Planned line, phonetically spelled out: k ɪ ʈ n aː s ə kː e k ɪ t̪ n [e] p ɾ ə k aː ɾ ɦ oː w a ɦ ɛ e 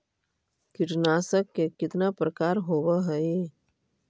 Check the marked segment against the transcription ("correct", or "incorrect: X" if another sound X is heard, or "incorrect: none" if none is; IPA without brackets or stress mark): incorrect: a